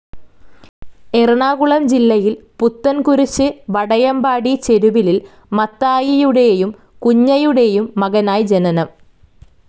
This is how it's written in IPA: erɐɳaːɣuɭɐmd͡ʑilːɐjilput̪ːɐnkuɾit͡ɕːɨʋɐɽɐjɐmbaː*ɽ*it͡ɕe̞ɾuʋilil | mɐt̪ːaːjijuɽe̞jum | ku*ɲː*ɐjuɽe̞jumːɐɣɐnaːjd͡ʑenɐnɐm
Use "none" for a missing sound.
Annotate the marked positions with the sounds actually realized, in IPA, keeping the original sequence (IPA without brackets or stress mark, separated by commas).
ɽ, ɲː